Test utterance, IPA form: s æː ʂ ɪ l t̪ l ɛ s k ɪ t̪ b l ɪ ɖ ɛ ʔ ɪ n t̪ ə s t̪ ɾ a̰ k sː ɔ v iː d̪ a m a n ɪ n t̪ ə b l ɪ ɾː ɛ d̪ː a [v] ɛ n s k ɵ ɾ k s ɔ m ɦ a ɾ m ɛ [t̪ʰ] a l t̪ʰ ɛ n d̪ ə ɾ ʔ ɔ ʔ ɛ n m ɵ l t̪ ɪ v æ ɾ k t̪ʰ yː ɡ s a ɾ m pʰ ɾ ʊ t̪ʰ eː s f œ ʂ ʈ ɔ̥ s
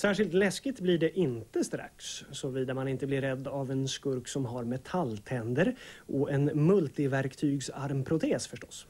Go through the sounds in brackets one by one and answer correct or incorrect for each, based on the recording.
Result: correct, correct

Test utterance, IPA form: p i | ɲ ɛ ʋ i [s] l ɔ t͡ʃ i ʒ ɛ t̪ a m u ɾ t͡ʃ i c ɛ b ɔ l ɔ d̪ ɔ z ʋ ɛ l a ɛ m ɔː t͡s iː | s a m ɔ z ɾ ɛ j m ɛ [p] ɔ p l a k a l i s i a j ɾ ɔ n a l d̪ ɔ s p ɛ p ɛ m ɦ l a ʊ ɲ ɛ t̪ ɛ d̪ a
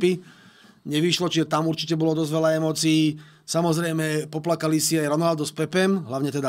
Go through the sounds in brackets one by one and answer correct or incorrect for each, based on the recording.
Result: incorrect, correct

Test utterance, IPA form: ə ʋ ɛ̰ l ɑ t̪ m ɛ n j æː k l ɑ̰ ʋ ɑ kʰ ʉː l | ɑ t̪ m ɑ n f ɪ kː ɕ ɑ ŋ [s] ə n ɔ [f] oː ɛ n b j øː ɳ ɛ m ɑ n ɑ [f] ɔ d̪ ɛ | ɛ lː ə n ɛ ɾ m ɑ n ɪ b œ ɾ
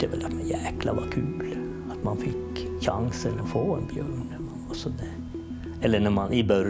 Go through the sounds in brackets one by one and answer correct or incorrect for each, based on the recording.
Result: correct, correct, incorrect

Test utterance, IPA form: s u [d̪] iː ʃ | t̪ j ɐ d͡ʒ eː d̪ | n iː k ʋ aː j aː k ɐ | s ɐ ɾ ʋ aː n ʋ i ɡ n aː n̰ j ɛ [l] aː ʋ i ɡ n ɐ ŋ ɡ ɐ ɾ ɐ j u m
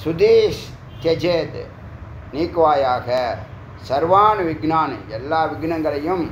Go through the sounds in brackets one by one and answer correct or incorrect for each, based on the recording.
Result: correct, incorrect

